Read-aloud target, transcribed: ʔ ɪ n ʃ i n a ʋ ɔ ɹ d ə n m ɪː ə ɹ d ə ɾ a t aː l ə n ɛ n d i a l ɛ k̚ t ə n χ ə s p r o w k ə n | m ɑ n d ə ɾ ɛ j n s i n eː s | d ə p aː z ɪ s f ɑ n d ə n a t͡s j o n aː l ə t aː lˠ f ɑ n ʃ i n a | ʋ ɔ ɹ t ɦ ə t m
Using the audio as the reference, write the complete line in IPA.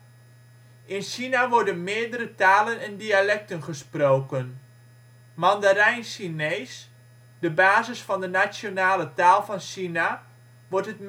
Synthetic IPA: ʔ ɪ n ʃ i n a ʋ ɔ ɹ d ə n m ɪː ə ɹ d ə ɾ ə t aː l ə n ɛ n d i a l ɛ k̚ t ə n χ ə s p r o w k ə n | m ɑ n d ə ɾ ɛ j n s i n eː s | d ə b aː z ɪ s f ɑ n d ə n a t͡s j o n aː l ə t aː lˠ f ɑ n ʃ i n a | ʋ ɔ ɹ t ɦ ə t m